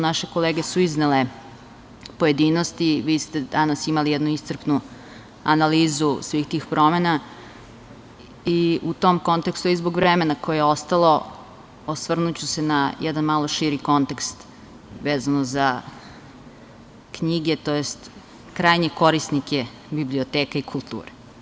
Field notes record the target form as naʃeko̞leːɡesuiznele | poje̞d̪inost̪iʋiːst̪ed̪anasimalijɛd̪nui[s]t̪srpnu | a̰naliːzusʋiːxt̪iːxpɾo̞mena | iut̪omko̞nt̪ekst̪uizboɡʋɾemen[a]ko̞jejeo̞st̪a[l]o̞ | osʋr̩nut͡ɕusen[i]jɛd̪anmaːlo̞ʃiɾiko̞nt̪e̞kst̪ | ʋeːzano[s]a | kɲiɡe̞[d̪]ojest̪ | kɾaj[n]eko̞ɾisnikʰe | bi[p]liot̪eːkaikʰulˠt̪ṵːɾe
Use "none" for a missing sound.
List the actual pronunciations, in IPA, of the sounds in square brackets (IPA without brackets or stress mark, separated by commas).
s, a, l, a, z, t̪, ɲ, b